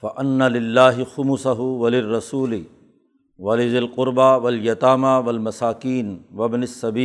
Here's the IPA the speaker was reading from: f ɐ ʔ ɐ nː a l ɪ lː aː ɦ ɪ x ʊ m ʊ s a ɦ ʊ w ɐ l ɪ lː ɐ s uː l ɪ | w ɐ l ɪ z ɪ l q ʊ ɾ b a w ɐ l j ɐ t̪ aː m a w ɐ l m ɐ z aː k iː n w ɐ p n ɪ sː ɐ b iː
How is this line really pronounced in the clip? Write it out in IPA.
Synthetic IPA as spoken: f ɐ ʔ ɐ nː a l ɪ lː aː ɦ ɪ x ʊ m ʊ s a ɦ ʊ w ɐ l ɪ rː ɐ s uː l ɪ | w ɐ l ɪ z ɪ l q ʊ ɾ b a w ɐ l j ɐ t̪ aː m a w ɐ l m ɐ s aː k iː n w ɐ b n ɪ sː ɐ b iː